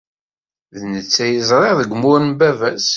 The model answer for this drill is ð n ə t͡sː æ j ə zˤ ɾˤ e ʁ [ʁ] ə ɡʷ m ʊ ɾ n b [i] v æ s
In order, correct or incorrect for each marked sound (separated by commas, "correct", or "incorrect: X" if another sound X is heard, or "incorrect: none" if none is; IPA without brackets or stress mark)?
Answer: incorrect: ð, incorrect: æ